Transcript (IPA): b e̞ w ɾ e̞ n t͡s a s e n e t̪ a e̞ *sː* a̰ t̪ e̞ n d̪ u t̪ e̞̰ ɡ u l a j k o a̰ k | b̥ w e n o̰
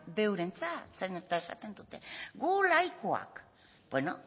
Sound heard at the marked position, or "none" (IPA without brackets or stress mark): s